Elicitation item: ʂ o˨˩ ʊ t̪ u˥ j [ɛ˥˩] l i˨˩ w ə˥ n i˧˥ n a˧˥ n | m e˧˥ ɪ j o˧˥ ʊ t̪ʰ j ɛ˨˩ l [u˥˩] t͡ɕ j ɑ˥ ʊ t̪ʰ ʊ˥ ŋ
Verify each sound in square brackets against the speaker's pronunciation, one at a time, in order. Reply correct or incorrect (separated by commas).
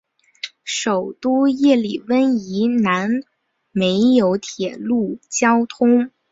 correct, correct